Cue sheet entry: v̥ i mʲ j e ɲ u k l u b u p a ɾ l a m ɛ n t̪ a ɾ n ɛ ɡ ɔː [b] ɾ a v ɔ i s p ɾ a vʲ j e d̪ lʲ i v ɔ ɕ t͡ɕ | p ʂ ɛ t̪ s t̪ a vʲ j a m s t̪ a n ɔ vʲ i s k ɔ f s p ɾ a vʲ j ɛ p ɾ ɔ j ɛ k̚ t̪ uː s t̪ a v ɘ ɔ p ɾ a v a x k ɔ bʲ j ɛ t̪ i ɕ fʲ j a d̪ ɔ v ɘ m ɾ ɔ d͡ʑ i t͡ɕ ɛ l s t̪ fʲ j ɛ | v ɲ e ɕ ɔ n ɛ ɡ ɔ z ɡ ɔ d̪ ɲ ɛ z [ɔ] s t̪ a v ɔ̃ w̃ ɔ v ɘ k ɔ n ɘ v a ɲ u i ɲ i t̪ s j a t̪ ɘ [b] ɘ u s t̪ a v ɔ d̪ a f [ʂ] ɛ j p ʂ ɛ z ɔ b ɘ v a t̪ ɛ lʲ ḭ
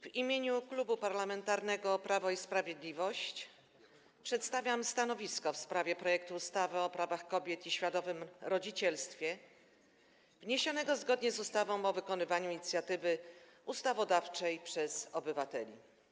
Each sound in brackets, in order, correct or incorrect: incorrect: p, incorrect: u, incorrect: v, incorrect: t͡ʂ

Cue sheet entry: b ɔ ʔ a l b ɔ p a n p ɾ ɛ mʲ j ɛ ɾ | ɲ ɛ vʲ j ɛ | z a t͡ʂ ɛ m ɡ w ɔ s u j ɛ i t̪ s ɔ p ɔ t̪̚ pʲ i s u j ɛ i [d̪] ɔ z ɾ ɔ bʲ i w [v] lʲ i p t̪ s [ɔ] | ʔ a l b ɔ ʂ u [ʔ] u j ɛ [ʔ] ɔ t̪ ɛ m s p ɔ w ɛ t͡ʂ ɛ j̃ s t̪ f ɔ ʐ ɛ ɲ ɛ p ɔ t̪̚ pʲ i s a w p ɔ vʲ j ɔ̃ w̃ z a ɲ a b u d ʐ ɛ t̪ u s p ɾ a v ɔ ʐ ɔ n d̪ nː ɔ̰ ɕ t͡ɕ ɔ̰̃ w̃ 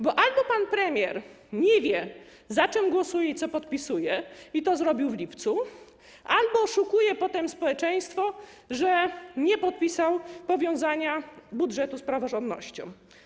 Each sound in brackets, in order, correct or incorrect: incorrect: t̪, correct, incorrect: u, incorrect: k, incorrect: p

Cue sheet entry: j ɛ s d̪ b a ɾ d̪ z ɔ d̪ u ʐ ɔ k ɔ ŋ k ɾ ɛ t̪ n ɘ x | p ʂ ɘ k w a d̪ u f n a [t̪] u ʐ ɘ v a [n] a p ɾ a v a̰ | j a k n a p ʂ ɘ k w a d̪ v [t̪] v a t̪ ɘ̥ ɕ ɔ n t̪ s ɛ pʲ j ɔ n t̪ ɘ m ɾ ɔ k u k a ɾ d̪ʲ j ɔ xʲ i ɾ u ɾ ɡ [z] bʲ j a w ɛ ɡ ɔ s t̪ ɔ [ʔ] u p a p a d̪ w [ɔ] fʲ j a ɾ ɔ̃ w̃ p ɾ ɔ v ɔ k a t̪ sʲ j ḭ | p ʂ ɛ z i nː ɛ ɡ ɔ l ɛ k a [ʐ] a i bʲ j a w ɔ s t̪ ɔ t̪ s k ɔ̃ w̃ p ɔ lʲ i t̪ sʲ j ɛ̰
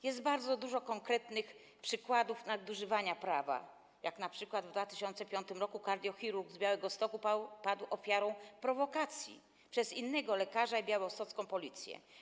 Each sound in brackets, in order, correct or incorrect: incorrect: d̪, incorrect: ɲ, incorrect: d̪, correct, incorrect: k, correct, correct

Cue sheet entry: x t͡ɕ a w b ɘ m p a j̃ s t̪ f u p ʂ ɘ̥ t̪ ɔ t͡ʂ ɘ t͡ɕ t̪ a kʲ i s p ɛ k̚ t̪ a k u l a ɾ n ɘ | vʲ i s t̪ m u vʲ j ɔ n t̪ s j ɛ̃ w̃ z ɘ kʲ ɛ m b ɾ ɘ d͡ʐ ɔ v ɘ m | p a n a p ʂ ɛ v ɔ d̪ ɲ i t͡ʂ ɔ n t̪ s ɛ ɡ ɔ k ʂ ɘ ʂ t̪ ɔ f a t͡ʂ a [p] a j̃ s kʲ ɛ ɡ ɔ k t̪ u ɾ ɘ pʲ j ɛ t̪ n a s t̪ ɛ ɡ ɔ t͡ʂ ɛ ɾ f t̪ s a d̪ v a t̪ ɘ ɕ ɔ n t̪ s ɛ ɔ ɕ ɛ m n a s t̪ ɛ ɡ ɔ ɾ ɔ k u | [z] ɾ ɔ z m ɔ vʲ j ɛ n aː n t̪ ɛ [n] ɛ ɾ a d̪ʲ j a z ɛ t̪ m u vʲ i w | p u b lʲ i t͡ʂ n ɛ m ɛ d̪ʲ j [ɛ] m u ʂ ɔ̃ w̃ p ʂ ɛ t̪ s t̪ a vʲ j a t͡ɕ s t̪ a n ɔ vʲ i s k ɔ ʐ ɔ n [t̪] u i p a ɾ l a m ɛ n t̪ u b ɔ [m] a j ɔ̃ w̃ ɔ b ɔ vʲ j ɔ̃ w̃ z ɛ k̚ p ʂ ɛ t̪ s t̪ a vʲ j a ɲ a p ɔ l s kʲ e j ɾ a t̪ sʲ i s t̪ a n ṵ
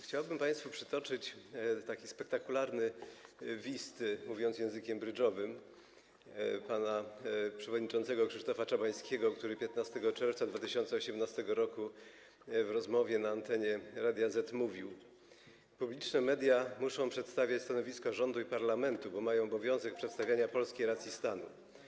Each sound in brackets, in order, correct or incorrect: incorrect: b, incorrect: v, incorrect: ɲ, incorrect: a, incorrect: d̪, correct

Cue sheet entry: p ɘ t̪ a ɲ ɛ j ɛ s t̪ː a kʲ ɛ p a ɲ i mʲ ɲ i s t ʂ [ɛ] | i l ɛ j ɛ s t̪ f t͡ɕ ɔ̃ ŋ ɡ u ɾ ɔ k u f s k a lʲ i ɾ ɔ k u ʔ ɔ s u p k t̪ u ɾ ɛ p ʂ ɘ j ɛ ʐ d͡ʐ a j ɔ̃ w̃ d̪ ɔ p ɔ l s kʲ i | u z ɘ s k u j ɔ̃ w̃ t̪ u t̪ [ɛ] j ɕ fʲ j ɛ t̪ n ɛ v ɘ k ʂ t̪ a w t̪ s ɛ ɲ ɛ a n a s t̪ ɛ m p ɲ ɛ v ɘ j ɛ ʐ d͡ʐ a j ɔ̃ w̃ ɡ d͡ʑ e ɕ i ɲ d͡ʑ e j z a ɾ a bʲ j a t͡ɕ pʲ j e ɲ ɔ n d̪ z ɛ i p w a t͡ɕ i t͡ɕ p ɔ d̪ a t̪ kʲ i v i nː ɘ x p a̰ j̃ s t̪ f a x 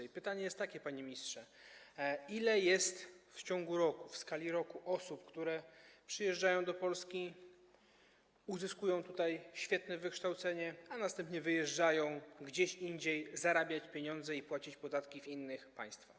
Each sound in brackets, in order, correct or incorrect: correct, incorrect: a

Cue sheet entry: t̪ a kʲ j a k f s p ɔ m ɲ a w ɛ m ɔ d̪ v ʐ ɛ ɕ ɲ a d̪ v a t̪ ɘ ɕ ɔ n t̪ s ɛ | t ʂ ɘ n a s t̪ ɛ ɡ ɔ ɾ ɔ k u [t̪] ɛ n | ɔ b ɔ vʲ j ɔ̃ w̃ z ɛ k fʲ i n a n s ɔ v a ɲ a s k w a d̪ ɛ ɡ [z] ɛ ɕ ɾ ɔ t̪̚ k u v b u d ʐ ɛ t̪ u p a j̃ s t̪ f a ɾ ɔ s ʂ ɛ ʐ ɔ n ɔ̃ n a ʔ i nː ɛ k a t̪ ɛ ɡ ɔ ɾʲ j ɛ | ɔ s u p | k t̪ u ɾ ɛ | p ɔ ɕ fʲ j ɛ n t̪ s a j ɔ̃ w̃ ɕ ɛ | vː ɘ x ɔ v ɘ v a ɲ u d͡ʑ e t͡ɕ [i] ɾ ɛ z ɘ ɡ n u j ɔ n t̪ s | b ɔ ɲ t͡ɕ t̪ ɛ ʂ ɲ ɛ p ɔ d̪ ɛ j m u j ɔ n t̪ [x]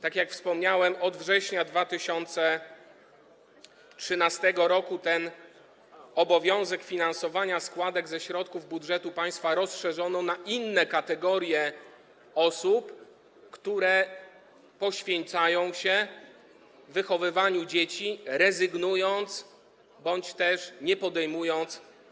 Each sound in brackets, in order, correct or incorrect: correct, correct, correct, incorrect: s

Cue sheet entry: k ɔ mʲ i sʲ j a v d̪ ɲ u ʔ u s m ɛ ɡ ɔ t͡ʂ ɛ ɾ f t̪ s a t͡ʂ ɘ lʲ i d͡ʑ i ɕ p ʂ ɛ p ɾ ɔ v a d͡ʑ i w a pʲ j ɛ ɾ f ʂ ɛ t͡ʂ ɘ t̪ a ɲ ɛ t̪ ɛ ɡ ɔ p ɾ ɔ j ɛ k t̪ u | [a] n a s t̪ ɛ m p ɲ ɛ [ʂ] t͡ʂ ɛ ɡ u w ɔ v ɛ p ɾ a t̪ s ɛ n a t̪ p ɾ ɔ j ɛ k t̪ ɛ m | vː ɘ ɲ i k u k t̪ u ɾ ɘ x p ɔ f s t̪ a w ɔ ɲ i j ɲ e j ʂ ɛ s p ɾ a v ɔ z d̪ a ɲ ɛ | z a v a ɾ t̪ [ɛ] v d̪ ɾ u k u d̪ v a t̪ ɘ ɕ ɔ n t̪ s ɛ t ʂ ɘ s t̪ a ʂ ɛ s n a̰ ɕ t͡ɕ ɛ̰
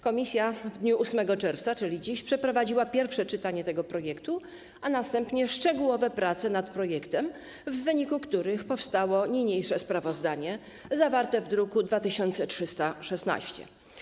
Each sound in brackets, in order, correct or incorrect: correct, correct, correct

